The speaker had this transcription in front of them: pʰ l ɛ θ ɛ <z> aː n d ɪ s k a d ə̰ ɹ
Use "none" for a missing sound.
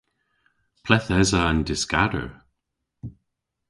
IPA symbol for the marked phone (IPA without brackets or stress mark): z